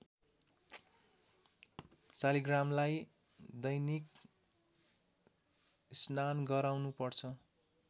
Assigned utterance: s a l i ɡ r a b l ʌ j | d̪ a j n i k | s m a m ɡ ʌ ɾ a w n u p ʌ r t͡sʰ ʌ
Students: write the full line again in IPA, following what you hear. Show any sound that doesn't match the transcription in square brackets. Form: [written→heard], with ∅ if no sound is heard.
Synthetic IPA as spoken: [s→t͡s] a l i ɡ r a [b→m] l [ʌ→a] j | d̪ [a→ʌ] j n i k | s [m→n] a [m→n] ɡ ʌ ɾ a w n u p ʌ r t͡sʰ ʌ